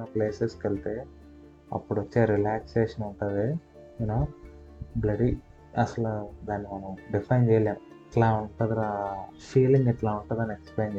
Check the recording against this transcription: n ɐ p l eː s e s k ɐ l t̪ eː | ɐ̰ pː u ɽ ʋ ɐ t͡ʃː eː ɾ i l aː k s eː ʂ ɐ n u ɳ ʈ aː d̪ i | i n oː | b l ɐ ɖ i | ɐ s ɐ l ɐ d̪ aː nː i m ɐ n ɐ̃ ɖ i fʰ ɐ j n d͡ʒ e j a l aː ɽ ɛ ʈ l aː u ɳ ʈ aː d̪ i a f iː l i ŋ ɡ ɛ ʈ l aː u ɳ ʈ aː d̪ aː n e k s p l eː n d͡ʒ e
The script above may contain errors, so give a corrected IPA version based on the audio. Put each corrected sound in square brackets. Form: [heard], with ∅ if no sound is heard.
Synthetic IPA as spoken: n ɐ p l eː s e s k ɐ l t̪ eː | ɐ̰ pː u ɽ ʋ ɐ t͡ʃː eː ɾ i l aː k s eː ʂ ɐ n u ɳ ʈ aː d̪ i | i n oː | b l ɐ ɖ i | ɐ s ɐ l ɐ d̪ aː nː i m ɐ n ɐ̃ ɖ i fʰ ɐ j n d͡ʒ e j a l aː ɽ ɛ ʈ l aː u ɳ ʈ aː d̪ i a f iː l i ŋ ɡ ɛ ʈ l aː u ɳ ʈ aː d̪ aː n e k s p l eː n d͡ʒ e